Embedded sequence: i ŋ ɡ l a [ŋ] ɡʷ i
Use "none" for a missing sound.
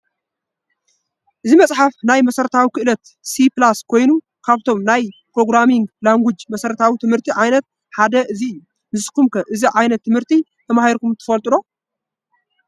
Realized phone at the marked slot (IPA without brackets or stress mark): ŋ